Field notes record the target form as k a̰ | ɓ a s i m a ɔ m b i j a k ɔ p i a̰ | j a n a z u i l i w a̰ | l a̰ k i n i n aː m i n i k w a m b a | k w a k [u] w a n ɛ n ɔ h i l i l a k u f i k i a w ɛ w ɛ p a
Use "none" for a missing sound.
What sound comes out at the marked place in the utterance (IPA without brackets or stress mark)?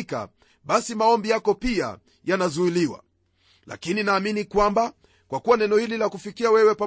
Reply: u